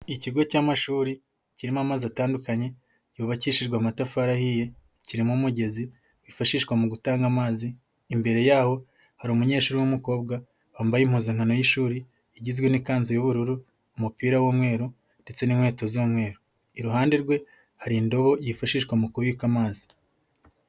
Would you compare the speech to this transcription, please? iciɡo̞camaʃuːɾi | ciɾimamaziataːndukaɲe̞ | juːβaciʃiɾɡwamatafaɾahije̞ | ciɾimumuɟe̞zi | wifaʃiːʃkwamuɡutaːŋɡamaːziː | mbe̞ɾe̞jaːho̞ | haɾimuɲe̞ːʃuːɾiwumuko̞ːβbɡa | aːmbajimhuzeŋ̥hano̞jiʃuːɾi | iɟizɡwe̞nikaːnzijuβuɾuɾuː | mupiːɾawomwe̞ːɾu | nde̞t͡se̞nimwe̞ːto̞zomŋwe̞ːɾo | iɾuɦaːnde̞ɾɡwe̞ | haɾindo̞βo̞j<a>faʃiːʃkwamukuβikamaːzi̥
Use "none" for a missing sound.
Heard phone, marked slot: i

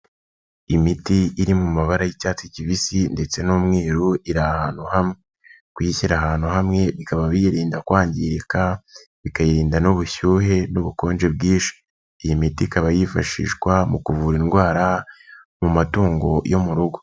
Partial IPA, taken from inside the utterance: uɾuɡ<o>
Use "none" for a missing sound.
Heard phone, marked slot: o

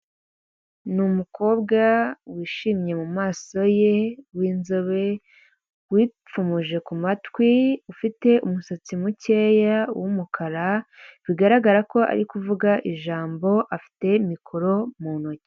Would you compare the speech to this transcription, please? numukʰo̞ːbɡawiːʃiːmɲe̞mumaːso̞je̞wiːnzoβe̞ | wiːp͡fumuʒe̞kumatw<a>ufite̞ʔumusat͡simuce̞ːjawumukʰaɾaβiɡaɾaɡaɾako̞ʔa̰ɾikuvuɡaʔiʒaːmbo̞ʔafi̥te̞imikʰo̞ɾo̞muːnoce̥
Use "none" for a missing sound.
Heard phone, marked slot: i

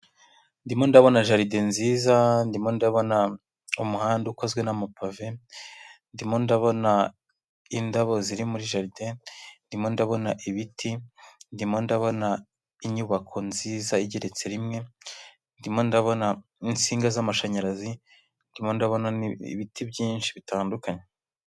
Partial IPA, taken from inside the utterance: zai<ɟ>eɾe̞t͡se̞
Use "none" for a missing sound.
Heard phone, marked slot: ɟ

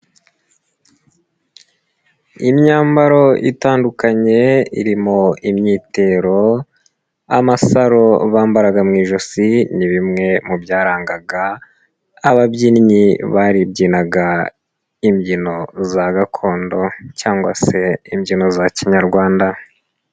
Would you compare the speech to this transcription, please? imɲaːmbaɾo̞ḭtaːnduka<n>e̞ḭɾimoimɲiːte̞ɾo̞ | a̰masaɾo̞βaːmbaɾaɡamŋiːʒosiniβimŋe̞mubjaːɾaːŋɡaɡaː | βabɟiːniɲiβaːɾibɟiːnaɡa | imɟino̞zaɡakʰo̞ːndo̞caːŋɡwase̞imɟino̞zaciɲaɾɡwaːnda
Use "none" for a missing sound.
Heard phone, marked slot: ɲ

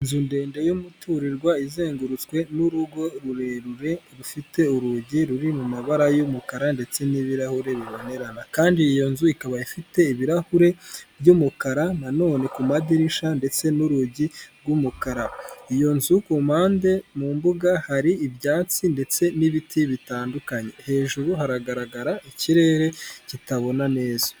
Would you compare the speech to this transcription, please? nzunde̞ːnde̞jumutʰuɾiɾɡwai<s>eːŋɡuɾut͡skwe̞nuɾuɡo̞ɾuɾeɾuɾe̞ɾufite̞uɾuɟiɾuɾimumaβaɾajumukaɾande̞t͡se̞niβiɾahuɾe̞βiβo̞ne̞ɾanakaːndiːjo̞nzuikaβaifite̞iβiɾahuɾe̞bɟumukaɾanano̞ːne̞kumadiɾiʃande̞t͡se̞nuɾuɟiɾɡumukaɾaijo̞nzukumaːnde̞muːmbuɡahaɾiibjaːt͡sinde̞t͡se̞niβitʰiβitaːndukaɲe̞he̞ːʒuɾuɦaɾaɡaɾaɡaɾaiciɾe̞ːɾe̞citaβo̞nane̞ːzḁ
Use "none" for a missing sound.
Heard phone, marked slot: z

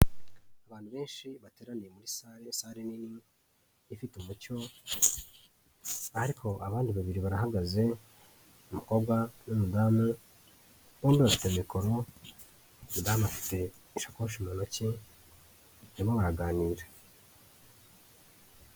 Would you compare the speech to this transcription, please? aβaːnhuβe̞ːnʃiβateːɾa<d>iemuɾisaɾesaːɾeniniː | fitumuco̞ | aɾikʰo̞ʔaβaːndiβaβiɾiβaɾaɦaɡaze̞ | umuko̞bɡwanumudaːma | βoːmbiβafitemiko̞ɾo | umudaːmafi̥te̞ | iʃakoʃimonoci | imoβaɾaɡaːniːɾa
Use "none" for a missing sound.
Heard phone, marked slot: n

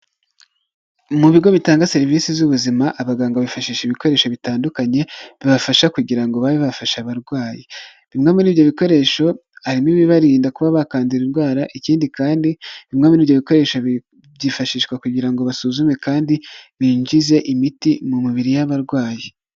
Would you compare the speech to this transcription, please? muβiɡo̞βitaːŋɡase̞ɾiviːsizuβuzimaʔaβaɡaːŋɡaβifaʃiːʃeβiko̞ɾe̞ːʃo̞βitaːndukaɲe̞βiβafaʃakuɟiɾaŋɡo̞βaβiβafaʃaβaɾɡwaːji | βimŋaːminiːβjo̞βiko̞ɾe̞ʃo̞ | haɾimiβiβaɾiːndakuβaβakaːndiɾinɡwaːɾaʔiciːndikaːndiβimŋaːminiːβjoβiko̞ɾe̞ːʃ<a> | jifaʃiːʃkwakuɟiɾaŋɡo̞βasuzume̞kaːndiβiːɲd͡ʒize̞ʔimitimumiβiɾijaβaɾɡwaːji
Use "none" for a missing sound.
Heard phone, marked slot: a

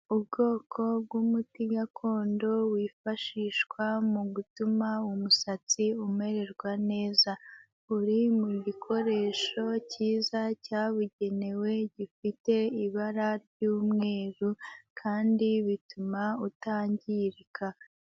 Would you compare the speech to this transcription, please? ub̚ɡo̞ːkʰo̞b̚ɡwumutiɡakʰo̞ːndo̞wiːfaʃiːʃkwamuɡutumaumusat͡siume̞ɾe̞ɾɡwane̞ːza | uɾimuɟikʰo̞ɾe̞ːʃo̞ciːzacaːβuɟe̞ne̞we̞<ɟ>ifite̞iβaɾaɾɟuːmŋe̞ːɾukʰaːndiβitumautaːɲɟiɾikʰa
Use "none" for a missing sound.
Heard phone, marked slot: ɟ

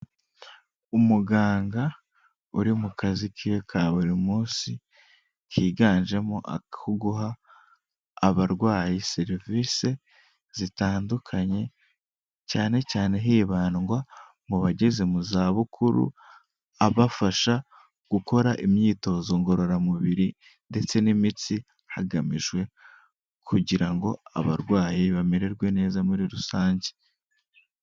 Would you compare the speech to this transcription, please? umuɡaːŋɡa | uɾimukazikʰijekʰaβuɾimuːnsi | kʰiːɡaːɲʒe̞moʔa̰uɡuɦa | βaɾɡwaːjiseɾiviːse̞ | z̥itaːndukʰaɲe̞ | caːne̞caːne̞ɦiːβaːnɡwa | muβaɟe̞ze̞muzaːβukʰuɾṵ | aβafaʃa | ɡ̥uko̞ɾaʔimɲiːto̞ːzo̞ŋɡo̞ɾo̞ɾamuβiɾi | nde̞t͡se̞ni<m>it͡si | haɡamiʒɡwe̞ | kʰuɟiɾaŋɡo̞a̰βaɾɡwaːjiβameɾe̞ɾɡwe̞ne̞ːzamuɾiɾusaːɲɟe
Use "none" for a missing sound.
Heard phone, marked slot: m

